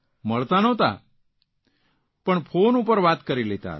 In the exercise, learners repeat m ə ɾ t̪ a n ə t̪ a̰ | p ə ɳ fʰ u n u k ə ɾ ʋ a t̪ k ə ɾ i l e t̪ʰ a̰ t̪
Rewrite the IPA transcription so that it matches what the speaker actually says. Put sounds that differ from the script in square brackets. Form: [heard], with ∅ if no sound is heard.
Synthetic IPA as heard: m ə [ɭ] t̪ a n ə t̪ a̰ | p ə ɳ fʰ [o] n u [p] ə ɾ ʋ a t̪ k ə ɾ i l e [t̪] a̰ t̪